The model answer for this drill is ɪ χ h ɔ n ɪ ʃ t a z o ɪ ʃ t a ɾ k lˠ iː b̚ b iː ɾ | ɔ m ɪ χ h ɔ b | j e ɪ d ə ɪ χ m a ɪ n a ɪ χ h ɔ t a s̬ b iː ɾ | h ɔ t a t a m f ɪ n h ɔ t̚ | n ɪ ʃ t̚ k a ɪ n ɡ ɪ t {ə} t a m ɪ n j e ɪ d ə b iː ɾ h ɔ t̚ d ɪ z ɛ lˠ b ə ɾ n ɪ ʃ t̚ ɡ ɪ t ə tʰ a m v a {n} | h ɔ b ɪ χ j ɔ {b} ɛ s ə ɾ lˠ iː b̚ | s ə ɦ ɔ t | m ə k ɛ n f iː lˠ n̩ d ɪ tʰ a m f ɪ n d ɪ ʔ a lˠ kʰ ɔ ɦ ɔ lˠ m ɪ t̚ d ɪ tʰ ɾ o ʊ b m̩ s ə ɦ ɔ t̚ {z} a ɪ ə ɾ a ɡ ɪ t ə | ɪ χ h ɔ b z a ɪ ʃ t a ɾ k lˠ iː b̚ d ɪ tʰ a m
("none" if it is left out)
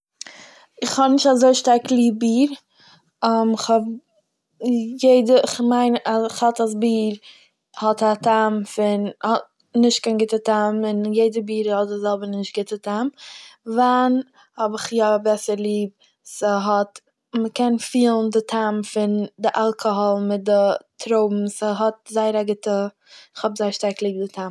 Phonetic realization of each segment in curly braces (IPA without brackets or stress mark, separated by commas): ə, n, b, z